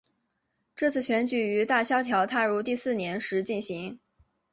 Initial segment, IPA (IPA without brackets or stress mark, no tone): ʈ͡ʂ